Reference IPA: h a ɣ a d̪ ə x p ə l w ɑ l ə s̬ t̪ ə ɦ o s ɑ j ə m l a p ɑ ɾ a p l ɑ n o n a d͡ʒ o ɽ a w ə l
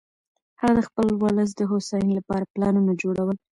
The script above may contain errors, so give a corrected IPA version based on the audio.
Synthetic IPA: h a ɣ a d̪ ə x p ə l w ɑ l ə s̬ d̪ ə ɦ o s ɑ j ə n l a p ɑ ɾ a p l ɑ n u n a d͡ʒ o ɽ a w ə l